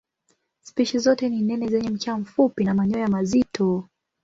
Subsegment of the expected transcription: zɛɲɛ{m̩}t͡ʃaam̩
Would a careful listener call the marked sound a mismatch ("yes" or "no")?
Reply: no